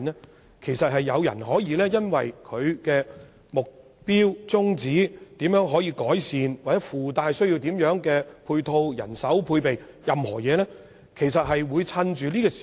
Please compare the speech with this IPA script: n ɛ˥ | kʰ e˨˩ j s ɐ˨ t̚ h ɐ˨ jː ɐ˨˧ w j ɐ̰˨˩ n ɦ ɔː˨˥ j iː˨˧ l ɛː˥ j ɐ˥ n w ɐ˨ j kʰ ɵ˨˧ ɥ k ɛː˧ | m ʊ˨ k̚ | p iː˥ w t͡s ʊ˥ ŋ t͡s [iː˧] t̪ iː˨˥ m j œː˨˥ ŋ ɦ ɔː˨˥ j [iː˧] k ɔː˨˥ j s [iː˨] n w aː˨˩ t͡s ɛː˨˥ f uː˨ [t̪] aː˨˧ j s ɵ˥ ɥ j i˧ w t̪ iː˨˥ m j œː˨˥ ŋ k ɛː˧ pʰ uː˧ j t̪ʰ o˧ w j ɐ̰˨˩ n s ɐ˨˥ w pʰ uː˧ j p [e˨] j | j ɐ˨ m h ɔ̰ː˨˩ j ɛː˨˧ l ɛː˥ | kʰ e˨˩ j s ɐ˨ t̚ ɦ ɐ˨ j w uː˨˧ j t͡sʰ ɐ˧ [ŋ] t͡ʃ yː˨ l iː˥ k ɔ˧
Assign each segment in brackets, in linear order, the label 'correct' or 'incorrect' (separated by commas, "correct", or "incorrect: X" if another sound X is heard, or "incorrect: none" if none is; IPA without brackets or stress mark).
incorrect: iː˨˥, correct, correct, correct, correct, incorrect: n